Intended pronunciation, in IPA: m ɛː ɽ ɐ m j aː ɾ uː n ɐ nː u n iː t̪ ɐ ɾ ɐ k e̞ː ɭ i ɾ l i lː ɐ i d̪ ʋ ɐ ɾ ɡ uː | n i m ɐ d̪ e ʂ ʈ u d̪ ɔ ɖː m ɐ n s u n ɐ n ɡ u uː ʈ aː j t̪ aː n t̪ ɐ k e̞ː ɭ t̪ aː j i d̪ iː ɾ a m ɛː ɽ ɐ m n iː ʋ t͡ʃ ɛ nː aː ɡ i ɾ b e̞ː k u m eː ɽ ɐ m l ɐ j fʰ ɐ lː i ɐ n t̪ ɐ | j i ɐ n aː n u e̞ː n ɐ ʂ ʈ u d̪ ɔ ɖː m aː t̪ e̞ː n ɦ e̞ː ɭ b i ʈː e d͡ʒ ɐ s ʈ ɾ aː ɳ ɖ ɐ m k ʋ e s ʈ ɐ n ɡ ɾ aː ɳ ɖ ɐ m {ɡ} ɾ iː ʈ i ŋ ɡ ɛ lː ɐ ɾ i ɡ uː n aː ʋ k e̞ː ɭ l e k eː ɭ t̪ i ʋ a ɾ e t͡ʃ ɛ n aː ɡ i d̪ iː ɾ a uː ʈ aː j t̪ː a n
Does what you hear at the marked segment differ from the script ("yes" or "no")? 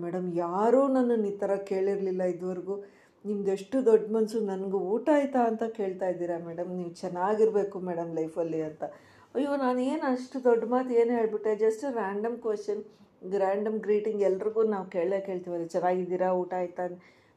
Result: no